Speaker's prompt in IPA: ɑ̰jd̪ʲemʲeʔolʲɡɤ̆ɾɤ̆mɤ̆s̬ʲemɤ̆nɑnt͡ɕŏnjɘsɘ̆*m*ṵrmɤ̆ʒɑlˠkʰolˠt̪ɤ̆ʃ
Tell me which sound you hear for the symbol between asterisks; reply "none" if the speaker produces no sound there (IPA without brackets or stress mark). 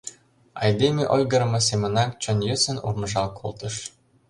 n